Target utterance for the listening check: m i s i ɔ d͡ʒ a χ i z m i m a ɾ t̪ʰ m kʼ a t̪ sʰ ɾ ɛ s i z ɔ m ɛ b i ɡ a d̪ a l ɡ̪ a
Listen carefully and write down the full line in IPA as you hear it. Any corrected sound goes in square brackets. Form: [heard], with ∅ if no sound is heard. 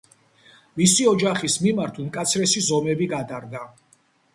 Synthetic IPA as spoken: m i s i ɔ d͡ʒ a χ i [s] m i m a ɾ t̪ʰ m kʼ a t̪ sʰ ɾ ɛ s i z ɔ m ɛ b i ɡ a d̪ a [ɾ] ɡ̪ a